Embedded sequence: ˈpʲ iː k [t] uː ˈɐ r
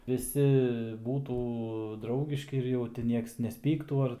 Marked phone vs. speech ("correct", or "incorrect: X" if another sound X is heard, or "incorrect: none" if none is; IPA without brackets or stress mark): correct